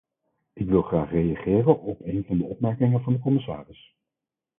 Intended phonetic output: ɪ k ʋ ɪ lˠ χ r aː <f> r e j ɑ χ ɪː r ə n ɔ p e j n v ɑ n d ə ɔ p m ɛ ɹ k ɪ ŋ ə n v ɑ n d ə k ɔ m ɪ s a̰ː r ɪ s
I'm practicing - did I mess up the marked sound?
yes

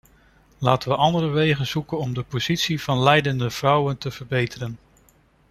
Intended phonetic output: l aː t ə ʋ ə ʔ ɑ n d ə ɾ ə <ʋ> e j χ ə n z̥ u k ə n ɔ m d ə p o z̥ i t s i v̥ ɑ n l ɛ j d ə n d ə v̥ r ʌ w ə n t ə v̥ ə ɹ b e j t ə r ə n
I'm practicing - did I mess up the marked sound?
no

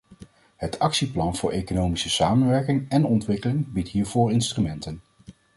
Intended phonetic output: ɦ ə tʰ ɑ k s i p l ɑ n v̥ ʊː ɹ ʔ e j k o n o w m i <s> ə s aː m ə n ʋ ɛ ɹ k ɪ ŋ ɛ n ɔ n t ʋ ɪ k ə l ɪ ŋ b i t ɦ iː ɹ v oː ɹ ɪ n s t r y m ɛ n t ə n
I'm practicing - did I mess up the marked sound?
no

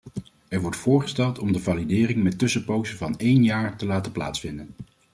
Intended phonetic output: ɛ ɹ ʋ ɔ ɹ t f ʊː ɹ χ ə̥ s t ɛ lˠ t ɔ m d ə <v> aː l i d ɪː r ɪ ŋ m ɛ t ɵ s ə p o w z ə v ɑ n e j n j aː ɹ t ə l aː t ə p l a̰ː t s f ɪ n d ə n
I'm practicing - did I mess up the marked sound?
no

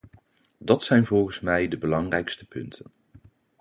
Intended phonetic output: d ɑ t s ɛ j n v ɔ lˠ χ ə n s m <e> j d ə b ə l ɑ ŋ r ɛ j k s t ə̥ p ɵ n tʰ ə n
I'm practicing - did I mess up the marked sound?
yes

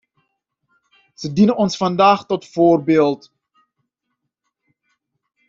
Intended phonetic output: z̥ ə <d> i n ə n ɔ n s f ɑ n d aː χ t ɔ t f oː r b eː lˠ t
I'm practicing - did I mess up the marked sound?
no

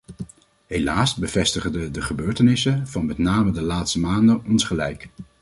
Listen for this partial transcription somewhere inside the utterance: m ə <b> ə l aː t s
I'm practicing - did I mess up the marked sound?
yes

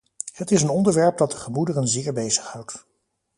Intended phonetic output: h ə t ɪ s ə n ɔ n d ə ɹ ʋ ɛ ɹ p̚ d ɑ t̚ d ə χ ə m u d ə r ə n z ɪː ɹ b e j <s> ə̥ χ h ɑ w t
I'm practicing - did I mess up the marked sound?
yes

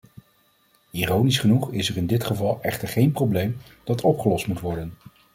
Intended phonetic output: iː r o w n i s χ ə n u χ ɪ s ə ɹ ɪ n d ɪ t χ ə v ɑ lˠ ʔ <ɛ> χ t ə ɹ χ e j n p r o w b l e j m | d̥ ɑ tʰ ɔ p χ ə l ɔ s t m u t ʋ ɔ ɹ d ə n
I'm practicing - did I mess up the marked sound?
no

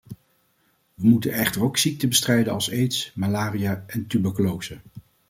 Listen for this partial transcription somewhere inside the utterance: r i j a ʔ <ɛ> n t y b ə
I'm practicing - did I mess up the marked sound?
no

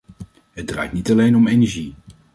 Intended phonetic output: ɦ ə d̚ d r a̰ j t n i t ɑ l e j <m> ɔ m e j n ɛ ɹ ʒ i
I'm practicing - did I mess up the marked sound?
yes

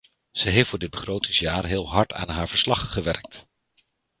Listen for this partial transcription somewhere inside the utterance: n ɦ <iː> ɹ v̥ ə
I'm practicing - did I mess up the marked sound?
yes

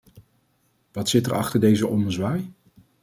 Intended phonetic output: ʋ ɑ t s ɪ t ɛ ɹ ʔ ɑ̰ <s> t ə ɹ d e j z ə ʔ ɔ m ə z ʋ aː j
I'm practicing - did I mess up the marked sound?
yes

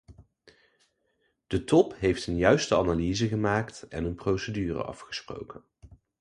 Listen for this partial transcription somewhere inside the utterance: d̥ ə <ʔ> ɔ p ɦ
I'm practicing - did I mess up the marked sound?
yes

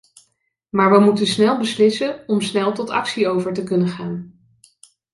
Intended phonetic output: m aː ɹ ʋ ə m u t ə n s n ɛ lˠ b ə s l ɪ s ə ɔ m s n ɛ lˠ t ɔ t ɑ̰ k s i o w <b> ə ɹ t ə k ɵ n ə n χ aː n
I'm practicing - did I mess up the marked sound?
yes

